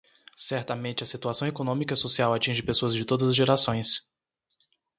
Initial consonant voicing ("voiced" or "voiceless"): voiceless